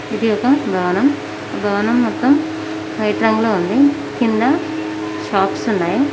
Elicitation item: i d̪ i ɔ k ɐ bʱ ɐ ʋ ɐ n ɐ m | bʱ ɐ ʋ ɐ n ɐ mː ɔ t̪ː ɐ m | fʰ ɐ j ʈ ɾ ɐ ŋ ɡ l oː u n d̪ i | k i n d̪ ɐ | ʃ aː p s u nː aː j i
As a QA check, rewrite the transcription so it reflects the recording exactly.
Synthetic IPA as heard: i d̪ i ɔ k ɐ bʱ ɐ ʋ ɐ n ɐ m | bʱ ɐ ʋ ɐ n ɐ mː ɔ t̪ː ɐ m | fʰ ɐ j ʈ ɾ ɐ ŋ ɡ l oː u n d̪ i | k i n d̪ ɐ | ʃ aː p s u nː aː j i